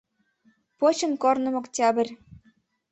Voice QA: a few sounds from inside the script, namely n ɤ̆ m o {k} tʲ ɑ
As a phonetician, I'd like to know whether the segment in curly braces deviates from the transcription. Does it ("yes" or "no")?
no